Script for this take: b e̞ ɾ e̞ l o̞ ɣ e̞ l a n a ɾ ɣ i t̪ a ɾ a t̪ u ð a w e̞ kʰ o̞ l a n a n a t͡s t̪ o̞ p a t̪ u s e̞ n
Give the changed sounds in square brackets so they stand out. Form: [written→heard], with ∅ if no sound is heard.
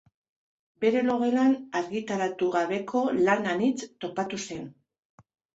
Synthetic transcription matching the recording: b e̞ ɾ e̞ l o̞ ɣ e̞ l a n a ɾ ɣ i t̪ a ɾ a t̪ u [ð→ɣ] a [w→β] e̞ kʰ o̞ l a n a n [a→i] t͡s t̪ o̞ p a t̪ u s e̞ n